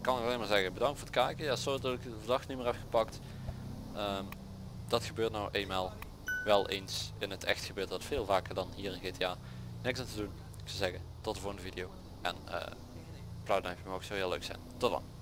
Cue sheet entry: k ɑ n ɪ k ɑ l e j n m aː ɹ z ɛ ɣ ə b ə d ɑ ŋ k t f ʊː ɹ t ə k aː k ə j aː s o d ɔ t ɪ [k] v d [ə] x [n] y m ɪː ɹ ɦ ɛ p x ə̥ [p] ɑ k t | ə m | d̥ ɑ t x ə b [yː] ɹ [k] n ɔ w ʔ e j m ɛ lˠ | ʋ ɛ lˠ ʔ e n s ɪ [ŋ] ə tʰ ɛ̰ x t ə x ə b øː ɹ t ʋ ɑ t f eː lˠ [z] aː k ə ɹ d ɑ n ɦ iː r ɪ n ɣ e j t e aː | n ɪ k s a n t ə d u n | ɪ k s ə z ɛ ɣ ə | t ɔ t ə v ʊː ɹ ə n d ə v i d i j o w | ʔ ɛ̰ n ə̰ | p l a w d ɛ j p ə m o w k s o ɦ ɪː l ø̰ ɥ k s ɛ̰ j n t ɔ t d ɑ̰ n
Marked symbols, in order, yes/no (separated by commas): yes, no, yes, yes, no, no, no, no